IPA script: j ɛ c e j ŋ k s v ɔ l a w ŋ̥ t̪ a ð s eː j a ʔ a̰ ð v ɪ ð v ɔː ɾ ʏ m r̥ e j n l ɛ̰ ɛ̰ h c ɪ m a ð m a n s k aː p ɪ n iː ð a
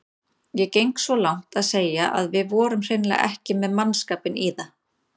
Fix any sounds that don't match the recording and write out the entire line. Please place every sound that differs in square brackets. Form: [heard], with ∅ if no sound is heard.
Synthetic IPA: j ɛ c e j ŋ k s v ɔ l a w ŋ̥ t̪ a ð s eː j a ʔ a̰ ð v ɪ ð v ɔː ɾ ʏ m r̥ e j n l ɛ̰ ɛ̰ h c ɪ m [ɛ] ð m a n s k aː p ɪ n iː ð a